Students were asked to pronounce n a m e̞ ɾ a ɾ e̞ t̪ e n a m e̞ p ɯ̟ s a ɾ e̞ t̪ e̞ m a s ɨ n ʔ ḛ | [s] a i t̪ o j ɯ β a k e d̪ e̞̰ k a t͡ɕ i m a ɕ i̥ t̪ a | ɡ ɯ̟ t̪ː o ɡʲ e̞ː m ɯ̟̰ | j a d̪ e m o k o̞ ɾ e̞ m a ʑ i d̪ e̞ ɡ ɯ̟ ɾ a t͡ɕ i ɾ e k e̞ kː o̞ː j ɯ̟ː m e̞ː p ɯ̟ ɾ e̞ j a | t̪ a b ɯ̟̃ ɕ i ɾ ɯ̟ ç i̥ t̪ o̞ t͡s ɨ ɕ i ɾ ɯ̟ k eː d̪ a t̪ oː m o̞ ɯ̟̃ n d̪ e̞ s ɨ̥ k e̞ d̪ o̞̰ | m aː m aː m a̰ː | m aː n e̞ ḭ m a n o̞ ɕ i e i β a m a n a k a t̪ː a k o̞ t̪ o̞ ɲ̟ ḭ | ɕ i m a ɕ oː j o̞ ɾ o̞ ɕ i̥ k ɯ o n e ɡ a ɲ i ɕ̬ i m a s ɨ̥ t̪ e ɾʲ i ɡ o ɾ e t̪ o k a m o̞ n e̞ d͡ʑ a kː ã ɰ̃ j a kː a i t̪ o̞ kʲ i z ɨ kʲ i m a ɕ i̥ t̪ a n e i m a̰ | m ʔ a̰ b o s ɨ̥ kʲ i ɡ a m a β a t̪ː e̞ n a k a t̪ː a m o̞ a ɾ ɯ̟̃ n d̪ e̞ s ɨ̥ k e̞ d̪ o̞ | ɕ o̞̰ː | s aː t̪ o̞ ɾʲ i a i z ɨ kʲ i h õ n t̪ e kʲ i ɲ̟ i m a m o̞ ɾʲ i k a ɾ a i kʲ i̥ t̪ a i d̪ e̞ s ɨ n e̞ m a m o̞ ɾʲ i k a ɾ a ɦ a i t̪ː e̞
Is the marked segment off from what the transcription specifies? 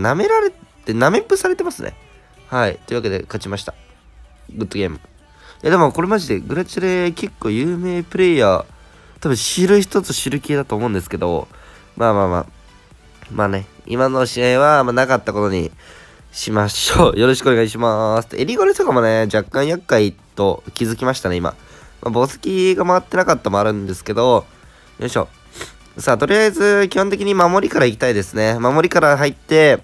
yes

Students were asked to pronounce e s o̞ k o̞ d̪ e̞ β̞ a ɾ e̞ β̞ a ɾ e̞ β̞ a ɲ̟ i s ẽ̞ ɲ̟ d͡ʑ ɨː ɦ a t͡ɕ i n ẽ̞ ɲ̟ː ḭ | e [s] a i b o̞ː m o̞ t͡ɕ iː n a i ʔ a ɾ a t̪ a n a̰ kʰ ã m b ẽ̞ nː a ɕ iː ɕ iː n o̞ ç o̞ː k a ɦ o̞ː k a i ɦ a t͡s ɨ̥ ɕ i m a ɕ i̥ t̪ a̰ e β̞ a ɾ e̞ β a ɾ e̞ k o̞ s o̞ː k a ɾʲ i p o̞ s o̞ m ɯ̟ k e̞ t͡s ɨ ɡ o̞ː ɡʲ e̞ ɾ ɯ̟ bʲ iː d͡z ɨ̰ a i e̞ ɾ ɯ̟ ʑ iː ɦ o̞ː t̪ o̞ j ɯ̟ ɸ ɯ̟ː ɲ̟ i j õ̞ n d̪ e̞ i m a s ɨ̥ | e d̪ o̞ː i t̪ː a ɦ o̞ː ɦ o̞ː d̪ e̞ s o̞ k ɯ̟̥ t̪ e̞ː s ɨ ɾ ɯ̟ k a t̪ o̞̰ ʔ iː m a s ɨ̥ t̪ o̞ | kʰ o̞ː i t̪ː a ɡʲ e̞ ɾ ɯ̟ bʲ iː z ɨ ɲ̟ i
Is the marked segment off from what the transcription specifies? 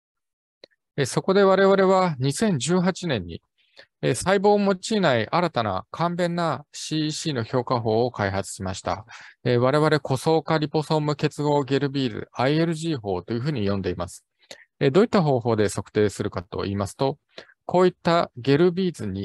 no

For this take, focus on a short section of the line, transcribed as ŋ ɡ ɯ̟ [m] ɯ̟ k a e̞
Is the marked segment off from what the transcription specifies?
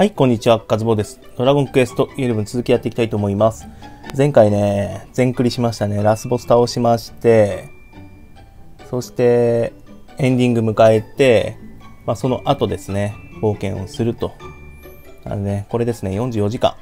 no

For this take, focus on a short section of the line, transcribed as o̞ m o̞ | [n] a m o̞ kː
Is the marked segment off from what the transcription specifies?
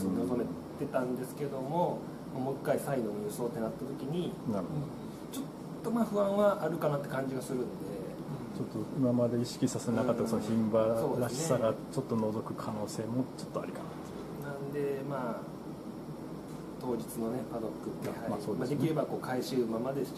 yes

